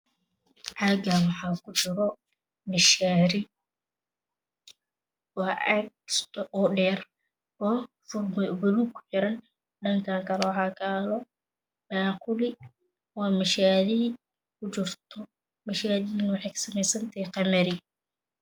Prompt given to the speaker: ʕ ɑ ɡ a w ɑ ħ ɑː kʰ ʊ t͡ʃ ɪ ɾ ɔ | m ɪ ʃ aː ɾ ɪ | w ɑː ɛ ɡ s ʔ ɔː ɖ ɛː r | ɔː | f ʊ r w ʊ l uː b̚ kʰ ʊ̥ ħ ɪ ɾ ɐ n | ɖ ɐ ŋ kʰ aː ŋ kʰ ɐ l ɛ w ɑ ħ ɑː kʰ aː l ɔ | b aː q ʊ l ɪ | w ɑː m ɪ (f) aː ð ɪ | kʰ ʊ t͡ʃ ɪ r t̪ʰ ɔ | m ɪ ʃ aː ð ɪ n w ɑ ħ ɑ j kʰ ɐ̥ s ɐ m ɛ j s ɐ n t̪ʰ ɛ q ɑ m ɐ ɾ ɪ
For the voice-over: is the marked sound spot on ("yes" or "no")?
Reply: no